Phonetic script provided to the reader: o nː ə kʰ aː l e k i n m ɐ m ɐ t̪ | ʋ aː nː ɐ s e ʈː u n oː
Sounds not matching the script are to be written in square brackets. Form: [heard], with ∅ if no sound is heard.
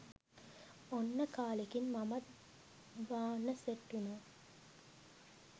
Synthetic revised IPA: o nː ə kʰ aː l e k i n m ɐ m ɐ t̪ | ʋ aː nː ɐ s e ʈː u n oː